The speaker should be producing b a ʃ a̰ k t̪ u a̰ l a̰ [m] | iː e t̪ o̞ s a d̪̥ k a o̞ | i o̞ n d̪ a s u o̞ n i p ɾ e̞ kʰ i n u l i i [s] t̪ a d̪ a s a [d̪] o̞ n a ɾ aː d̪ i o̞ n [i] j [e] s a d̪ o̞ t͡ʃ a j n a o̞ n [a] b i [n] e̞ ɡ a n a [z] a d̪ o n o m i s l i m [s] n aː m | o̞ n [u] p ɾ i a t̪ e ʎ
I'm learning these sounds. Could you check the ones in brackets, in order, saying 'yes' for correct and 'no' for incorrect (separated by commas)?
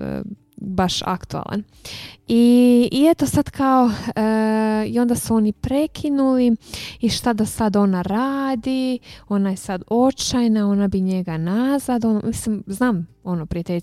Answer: no, no, yes, no, yes, yes, no, yes, no, no